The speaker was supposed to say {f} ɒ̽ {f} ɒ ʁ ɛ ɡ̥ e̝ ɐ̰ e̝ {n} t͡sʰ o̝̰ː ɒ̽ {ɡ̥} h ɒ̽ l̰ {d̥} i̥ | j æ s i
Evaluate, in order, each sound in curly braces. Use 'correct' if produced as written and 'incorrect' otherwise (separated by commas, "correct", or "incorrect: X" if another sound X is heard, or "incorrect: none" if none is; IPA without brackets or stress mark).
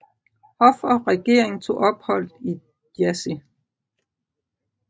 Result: incorrect: h, correct, incorrect: ŋ, incorrect: b̥, correct